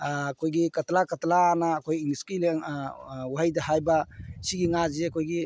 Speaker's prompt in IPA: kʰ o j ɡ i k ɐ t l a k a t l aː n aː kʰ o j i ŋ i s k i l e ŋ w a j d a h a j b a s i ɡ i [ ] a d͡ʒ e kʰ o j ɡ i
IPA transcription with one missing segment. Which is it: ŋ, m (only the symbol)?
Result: ŋ